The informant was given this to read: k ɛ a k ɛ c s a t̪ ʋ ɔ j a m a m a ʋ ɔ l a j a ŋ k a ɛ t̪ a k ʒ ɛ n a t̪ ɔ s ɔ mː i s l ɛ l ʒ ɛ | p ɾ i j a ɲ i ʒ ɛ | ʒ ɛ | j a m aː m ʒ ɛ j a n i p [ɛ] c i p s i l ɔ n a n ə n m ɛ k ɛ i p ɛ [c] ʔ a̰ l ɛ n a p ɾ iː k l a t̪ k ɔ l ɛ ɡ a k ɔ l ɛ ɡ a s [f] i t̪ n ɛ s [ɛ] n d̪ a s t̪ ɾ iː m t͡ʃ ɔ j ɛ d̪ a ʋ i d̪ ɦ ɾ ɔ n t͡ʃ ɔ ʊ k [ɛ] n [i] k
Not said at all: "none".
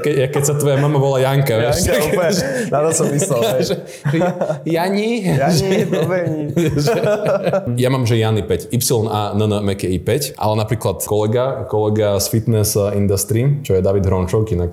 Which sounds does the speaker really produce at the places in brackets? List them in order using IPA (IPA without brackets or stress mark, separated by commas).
ɛ, c, f, i, i, a